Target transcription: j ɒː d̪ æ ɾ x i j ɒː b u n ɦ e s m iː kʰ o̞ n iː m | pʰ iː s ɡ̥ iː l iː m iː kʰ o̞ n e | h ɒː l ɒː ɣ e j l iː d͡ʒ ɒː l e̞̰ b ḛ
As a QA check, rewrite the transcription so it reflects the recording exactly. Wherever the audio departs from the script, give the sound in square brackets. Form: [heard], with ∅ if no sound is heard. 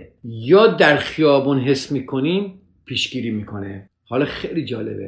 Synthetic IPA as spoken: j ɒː d̪ æ ɾ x i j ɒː b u n ɦ e s m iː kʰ o̞ n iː m | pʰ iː [ʃ] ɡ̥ iː [ɾ] iː m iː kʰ o̞ n e | h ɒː l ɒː [x] e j l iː d͡ʒ ɒː l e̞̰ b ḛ